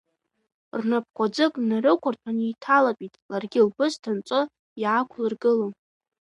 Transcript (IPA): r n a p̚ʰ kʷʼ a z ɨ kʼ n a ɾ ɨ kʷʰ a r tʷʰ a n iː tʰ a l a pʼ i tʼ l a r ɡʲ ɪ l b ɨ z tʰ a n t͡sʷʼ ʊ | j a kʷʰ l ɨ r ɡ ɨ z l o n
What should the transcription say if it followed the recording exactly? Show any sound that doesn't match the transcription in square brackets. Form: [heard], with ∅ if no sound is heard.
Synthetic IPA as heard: r n a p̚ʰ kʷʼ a [d͡z] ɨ kʼ n a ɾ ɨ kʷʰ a r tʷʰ a n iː tʰ a l a pʼ i tʼ l a r ɡʲ ɪ l b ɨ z tʰ a n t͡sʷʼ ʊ | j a kʷʰ l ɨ r ɡ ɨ [∅] l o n